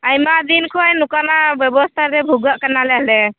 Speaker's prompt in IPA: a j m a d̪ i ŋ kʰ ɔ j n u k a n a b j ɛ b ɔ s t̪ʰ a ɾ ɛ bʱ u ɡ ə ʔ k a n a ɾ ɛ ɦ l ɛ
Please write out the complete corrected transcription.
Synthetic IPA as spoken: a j m a d̪ i n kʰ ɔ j n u k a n a b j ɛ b ɔ s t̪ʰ a ɾ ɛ bʱ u ɡ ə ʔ k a n a l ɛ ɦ l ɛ